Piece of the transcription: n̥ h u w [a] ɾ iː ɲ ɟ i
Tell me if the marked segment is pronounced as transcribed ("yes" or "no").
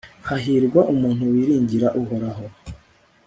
no